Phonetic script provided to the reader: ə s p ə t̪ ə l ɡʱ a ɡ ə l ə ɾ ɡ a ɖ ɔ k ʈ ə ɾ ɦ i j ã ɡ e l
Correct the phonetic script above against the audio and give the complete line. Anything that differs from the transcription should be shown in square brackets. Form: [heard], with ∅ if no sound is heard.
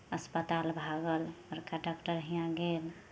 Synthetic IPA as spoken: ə s p ə t̪ [a] l [bʱ] a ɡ ə l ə ɾ [k] a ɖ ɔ k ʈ ə ɾ ɦ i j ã ɡ e l